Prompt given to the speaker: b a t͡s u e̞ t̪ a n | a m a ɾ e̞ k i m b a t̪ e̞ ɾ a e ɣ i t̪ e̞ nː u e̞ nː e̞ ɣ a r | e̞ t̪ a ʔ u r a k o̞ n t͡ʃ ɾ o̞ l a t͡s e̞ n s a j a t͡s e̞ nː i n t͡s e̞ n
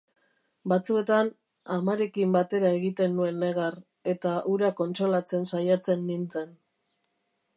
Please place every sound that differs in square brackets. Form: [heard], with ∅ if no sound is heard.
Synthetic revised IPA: b a t͡s u e̞ t̪ a n | a m a ɾ e̞ k i m b a t̪ e̞ ɾ a e ɣ i t̪ e̞ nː u e̞ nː e̞ ɣ a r | e̞ t̪ a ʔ u [ɾ] a k o̞ n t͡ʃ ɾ o̞ l a t͡s e̞ n s a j a t͡s e̞ nː i n t͡s e̞ n